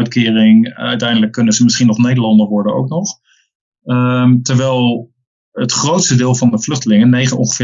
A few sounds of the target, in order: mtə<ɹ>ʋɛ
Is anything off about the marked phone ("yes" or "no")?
no